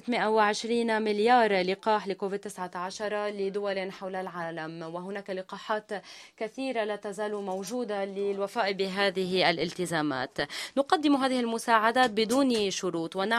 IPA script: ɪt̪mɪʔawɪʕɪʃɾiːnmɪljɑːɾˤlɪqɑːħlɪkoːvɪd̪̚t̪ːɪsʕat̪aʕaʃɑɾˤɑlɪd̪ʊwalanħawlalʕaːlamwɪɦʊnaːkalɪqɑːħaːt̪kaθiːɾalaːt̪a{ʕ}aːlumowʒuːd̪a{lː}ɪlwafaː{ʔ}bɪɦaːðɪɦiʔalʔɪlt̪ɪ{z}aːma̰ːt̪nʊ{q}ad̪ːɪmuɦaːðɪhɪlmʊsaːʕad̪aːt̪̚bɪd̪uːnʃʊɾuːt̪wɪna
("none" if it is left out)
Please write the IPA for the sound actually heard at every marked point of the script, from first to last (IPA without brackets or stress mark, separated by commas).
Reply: z, l, ʔ, z, q